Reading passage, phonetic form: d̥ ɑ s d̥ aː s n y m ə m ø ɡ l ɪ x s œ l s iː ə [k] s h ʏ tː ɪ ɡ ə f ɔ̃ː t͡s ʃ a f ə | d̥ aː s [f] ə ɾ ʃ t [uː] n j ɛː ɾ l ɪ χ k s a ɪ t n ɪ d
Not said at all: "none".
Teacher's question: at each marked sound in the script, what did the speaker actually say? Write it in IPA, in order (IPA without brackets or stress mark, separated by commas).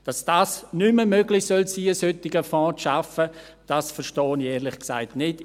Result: none, f, ɔː